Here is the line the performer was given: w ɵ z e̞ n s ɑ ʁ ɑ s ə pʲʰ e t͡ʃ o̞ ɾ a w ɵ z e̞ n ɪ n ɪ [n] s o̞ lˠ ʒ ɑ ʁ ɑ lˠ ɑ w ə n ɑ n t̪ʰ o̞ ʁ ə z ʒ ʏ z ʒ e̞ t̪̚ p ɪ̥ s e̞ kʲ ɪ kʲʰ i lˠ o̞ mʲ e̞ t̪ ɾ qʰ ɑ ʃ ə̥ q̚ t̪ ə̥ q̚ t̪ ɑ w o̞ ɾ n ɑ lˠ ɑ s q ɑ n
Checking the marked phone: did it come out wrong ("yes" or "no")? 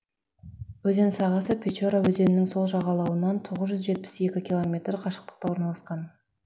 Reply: yes